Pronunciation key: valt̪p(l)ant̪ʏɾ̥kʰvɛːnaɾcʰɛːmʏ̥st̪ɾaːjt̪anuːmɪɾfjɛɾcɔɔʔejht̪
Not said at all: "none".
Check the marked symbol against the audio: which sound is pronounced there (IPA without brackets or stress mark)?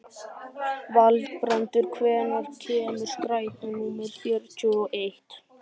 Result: ɾ